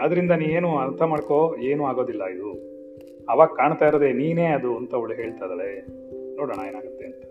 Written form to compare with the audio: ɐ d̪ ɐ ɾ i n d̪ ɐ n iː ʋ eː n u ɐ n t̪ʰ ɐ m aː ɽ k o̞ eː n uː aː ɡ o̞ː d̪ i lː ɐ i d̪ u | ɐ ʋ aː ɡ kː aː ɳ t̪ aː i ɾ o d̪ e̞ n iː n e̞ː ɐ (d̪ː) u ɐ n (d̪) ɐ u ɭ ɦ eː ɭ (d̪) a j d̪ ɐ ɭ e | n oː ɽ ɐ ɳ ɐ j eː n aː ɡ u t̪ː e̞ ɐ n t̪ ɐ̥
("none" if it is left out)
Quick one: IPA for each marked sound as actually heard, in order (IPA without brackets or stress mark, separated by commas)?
d̪, t̪, t̪